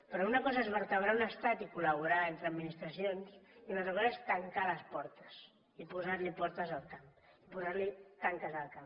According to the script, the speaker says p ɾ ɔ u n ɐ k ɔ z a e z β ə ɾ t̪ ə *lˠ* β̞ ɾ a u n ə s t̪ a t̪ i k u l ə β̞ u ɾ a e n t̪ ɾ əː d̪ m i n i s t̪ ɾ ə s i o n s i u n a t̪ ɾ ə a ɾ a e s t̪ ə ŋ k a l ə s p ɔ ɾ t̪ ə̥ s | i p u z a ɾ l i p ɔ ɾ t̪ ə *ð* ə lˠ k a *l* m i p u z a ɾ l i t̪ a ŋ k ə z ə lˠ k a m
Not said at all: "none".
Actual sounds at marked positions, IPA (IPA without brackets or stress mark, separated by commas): none, z, none